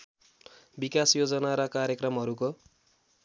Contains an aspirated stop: no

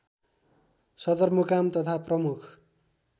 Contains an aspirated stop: yes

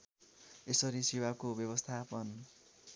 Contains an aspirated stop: yes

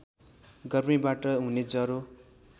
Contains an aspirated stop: no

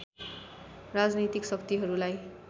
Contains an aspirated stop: no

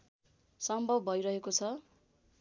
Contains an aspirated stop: yes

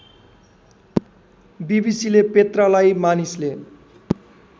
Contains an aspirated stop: no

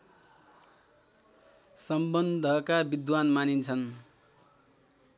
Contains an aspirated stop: yes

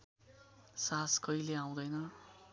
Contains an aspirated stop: no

